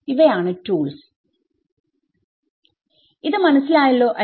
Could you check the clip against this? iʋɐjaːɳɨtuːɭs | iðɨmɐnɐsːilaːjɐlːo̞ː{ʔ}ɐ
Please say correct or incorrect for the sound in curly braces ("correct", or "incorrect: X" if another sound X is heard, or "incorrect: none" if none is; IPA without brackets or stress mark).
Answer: correct